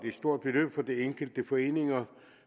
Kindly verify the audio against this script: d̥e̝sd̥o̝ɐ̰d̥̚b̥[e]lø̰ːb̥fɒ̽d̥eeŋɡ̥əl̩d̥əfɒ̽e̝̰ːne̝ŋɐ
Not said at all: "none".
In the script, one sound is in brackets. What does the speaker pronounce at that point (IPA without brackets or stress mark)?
e